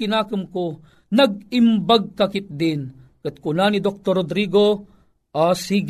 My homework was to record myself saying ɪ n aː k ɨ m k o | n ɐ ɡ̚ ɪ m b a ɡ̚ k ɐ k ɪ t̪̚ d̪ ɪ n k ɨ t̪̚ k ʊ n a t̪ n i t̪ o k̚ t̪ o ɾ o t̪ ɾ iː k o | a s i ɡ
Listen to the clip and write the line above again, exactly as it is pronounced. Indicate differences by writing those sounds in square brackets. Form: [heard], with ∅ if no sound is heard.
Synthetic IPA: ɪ n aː k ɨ m k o | n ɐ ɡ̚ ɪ m b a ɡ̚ k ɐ k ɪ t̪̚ d̪ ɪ n k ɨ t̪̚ k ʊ n a [∅] n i [d̪] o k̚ t̪ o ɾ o [d̪] ɾ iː [ɡ] o | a s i ɡ